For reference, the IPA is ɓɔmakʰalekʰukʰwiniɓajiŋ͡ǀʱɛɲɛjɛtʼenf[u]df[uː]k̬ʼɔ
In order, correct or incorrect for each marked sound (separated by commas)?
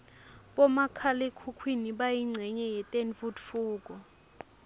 correct, correct